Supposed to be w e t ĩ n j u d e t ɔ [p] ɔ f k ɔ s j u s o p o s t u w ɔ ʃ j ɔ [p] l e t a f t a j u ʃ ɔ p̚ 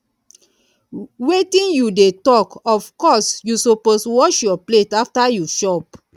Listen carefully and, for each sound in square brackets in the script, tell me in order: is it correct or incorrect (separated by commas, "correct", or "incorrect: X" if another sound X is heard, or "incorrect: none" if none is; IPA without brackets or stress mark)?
incorrect: k, correct